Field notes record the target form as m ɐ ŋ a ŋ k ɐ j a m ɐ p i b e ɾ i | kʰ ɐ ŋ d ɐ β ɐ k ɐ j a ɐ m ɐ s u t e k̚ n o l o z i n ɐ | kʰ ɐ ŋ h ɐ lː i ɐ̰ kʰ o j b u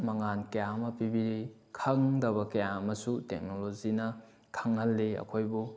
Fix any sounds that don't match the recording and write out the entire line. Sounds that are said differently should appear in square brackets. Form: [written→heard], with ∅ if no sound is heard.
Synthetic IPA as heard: m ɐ ŋ a [ŋ→n] k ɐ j a m ɐ p i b [e→i] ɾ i | kʰ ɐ ŋ d ɐ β ɐ k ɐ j a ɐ m ɐ s u t e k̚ n o l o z i n ɐ | kʰ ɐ ŋ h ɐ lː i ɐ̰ kʰ o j b u